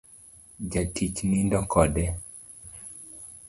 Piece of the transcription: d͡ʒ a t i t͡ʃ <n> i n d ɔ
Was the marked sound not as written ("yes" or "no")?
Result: no